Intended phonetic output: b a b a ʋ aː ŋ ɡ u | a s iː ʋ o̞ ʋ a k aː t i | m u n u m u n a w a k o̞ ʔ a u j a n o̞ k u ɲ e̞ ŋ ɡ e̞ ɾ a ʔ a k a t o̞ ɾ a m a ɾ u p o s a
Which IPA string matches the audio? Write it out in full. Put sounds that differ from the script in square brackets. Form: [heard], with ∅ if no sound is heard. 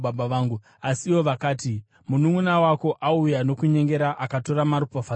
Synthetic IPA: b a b a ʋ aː ŋ ɡ u | a s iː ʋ o̞ ʋ a k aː t i | m u n u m u n a w a k o̞ ʔ a u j a n o̞ k u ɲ e̞ ŋ ɡ e̞ ɾ a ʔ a k a t o̞ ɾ a m a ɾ u p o [f] a